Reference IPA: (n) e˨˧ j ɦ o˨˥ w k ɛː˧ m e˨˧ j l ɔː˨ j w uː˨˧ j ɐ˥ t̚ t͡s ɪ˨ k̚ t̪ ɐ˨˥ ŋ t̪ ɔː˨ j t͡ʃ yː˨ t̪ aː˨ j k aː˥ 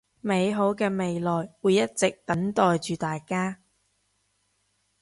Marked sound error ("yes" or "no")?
yes